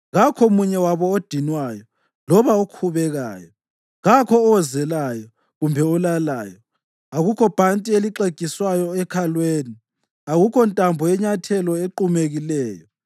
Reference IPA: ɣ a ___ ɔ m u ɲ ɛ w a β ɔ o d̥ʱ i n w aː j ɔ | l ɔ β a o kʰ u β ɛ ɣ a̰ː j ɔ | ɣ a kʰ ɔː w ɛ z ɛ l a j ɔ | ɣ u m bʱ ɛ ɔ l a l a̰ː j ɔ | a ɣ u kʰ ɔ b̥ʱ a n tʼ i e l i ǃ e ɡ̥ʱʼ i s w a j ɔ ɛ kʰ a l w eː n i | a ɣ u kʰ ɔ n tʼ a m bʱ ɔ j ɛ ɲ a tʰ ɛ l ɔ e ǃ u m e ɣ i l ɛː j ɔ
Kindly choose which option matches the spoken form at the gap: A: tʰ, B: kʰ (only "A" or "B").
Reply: B